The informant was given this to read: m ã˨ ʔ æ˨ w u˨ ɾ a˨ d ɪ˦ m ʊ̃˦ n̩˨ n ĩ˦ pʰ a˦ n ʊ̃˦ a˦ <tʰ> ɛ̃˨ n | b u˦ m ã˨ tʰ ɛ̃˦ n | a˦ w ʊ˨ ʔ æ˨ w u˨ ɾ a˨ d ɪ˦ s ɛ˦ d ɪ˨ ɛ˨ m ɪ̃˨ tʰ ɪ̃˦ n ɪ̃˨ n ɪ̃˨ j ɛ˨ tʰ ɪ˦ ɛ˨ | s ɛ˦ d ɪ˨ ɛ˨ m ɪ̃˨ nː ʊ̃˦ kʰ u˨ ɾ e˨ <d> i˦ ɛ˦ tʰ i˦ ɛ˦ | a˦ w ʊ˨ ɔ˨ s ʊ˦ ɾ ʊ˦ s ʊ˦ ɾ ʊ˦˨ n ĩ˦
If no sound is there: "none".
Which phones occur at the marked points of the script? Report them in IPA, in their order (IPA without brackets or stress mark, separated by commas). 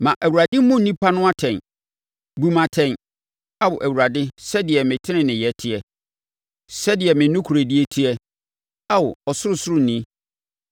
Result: tʰ, d